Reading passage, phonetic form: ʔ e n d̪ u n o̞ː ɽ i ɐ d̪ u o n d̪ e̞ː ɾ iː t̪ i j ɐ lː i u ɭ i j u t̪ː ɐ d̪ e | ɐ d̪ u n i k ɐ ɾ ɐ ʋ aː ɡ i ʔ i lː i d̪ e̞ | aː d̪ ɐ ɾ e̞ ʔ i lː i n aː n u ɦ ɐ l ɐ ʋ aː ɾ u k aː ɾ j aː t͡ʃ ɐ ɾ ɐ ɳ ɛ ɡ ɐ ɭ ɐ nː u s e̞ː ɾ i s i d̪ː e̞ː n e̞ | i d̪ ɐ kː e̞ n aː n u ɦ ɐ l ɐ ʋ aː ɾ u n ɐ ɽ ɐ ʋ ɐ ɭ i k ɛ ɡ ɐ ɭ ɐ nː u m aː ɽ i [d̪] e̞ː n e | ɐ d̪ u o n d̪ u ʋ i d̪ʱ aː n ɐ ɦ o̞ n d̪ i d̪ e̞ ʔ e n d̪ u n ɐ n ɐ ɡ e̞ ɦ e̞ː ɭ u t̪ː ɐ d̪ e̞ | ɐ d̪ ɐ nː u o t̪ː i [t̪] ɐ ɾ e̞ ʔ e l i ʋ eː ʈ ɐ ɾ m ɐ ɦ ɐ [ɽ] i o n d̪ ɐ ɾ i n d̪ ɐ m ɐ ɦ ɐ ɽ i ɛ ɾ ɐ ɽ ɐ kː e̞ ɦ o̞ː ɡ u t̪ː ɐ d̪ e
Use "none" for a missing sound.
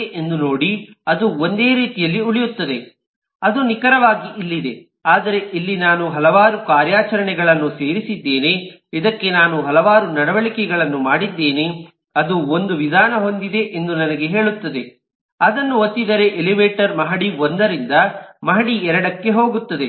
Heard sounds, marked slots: d̪ː, d̪, ɽ

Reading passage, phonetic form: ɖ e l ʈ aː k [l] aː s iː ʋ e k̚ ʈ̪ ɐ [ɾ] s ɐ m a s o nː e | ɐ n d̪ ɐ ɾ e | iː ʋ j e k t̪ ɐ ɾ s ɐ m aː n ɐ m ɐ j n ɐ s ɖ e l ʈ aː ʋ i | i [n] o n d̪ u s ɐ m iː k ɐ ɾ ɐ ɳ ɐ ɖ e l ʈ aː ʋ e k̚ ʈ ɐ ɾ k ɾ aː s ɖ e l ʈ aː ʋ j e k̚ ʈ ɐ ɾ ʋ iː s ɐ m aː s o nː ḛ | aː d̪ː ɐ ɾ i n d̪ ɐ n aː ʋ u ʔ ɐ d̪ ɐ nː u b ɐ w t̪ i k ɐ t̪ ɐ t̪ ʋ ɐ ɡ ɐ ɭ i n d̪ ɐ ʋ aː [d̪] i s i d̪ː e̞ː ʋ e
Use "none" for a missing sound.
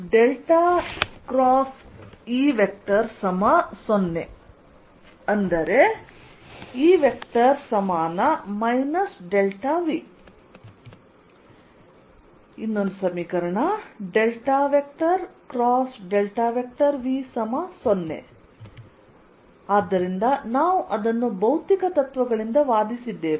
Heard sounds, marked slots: ɾ, ɾ, nː, d̪

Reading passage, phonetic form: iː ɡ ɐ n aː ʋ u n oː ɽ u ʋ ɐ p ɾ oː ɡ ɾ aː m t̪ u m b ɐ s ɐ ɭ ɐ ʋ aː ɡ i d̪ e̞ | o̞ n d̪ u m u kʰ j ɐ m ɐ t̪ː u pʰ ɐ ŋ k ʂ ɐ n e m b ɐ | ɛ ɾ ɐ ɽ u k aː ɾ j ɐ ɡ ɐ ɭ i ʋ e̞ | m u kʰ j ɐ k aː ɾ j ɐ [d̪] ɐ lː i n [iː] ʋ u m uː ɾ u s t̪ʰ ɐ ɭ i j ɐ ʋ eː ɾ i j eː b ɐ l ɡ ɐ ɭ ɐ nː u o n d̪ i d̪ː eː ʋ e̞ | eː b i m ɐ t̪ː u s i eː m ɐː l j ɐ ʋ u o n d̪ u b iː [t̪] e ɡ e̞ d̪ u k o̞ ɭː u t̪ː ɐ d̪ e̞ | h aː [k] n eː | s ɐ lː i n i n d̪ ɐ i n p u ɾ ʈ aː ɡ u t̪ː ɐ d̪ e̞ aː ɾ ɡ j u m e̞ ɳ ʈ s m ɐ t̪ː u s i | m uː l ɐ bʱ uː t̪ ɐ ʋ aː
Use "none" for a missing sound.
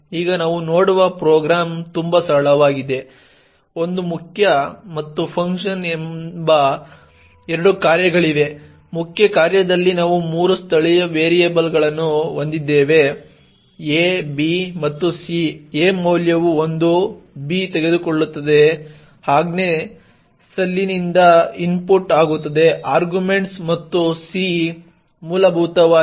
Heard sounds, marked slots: d̪, aː, t̪, ɡ

